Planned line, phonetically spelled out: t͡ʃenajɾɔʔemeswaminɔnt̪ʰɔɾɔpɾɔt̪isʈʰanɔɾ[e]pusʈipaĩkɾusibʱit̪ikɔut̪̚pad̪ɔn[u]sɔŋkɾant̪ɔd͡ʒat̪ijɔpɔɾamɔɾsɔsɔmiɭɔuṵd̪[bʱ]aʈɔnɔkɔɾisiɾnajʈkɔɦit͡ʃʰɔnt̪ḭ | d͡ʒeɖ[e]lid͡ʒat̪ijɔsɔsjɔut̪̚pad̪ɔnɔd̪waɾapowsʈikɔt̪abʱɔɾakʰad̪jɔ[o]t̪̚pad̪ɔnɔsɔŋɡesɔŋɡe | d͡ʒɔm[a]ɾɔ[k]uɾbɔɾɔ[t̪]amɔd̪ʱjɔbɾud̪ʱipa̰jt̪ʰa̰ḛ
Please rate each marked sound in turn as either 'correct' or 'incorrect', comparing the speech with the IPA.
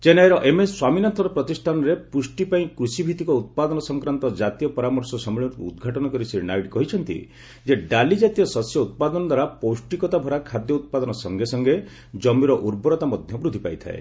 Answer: correct, incorrect, incorrect, incorrect, incorrect, incorrect, incorrect, correct

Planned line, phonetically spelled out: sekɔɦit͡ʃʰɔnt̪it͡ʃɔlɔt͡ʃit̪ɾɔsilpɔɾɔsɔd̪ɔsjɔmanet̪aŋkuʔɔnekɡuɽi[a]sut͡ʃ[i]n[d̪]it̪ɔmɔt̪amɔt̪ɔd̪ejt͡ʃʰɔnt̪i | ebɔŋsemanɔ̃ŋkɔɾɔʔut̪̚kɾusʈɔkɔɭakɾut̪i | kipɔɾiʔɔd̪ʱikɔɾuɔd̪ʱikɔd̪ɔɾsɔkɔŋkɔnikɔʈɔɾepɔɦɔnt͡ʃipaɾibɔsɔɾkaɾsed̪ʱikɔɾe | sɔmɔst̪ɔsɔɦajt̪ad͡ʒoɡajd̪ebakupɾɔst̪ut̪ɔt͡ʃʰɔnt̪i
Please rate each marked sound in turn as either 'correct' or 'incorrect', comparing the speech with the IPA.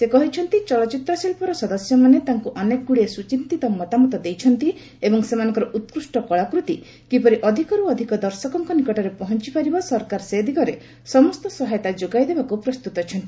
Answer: incorrect, correct, incorrect

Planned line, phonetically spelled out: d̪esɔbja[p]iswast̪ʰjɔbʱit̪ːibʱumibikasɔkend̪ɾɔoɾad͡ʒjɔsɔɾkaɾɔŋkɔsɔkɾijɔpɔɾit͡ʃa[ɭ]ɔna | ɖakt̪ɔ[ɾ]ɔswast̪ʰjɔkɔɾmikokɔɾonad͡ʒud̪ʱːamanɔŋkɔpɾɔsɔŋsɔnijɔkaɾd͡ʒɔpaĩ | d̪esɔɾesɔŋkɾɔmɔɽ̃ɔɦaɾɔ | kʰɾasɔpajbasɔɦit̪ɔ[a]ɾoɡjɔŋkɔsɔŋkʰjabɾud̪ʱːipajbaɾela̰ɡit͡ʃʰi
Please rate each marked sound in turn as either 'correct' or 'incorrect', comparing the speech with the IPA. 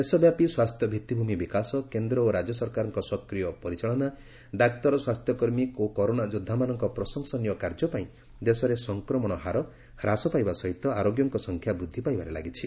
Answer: correct, correct, correct, correct

